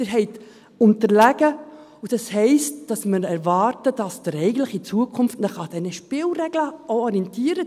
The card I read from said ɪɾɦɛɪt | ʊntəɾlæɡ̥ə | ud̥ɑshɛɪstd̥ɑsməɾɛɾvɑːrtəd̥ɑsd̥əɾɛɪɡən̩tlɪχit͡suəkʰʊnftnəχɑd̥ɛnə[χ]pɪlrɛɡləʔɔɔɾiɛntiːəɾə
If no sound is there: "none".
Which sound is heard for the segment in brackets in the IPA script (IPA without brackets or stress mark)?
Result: ʃ